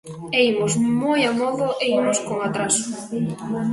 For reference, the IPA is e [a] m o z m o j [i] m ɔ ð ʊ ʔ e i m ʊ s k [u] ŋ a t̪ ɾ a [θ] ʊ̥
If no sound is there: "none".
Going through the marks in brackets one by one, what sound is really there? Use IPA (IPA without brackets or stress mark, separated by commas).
i, a, o, s